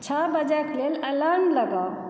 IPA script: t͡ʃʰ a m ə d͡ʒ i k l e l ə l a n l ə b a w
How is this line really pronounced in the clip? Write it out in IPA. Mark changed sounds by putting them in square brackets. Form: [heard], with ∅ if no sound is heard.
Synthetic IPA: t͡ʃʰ a [b] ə d͡ʒ [a] k l e l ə l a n l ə [ɡ] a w